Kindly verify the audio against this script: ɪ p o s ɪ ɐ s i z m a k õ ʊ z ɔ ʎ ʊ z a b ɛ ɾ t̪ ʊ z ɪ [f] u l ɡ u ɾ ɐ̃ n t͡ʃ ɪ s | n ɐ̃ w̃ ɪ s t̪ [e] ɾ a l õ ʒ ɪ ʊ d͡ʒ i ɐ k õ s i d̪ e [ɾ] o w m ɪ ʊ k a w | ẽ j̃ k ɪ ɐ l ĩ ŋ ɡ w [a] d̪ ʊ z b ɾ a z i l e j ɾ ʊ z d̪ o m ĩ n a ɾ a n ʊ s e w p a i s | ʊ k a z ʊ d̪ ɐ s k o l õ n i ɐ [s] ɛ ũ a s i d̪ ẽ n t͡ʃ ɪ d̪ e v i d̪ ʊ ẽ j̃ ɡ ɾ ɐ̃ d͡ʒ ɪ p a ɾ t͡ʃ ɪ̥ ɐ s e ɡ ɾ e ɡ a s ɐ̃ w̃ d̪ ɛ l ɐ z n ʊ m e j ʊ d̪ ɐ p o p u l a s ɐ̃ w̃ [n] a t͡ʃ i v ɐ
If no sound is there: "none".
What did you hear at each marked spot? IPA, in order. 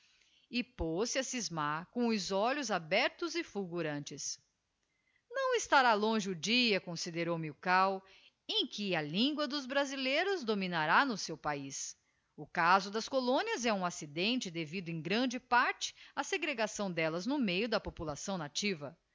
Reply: f, a, ɾ, ɐ, z, n

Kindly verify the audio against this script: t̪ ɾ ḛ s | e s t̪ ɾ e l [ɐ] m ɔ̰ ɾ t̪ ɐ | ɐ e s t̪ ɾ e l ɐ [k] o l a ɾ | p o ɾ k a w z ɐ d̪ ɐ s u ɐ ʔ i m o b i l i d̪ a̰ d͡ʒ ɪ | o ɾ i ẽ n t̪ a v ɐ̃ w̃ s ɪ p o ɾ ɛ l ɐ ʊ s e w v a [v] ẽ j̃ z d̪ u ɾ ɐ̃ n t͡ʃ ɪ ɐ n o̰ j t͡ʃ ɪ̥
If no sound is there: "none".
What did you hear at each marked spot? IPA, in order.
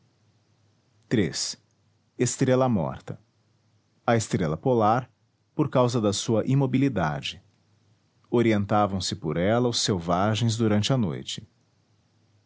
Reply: ɐ, p, ʒ

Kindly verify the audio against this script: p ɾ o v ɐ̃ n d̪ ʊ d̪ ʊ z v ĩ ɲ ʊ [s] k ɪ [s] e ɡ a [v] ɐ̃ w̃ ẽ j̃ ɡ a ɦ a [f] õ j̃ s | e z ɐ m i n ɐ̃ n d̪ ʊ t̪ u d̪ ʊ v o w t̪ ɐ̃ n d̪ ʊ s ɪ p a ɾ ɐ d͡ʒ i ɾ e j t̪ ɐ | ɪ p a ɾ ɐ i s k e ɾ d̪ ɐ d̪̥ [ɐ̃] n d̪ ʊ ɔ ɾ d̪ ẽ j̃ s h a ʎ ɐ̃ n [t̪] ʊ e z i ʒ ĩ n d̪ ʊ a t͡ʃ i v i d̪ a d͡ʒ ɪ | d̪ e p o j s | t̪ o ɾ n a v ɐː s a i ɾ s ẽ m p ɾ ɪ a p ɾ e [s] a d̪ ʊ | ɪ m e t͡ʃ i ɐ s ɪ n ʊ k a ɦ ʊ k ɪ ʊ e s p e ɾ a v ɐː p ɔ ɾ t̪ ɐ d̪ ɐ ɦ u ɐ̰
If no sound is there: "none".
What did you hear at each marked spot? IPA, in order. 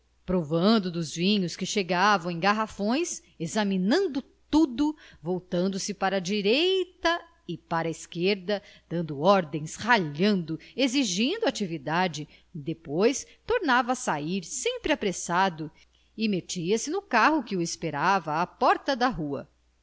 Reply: s, ʃ, v, f, ɐ̃, d̪, s

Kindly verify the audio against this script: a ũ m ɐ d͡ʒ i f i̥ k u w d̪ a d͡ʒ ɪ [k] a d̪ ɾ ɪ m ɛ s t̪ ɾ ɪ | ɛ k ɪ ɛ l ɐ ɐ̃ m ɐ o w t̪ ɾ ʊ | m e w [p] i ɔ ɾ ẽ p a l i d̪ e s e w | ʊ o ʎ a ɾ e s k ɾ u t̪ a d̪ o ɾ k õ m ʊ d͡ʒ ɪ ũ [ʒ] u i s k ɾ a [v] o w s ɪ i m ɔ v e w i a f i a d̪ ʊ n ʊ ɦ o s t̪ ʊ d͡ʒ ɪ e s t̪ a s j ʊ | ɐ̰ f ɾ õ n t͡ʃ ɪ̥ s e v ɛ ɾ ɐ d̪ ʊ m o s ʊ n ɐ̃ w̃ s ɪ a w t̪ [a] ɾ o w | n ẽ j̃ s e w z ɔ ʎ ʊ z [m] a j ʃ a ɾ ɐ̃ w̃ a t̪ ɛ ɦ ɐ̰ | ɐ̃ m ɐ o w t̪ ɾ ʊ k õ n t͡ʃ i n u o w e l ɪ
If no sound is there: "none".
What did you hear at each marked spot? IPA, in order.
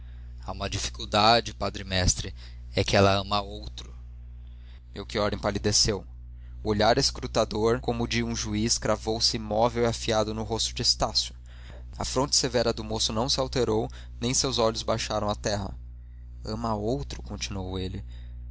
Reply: p, k, ʒ, v, e, b

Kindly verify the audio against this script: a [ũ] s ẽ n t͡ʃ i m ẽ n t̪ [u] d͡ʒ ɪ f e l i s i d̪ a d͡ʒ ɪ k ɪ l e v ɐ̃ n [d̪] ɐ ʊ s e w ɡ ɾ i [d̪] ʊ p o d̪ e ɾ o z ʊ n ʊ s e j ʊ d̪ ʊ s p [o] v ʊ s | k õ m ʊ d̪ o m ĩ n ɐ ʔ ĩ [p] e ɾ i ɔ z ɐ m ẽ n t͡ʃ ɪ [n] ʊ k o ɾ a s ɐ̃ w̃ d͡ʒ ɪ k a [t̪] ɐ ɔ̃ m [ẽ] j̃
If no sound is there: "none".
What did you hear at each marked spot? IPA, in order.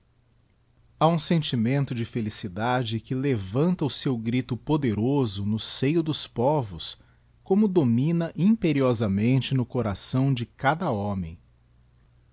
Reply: ũ, ʊ, t̪, t̪, ɔ, p, n, d̪, ẽ

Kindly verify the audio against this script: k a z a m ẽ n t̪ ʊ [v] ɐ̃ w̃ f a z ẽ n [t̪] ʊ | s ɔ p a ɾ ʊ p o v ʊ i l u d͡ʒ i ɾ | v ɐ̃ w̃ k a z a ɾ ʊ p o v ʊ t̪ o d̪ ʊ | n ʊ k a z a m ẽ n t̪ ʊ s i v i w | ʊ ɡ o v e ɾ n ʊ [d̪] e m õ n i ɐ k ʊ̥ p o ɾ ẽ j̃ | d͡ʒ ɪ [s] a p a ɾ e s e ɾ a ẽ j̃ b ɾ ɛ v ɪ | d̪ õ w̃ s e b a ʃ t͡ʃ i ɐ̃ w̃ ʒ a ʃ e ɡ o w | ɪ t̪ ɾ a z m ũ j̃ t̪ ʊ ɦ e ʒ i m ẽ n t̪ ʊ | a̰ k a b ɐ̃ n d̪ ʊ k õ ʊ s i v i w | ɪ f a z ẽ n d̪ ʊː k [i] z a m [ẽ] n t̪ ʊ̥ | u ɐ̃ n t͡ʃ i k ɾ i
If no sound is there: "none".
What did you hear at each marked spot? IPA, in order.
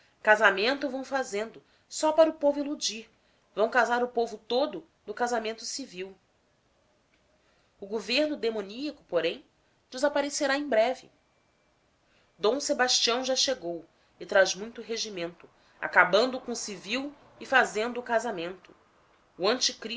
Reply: v, d̪, d̪, z, a, ẽ

